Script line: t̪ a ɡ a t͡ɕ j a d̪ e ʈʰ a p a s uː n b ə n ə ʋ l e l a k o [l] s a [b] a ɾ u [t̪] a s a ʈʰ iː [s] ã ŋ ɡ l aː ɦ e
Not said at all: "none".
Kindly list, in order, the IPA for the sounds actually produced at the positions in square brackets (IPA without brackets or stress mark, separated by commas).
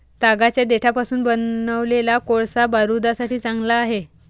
ɭ, b, d̪, t͡s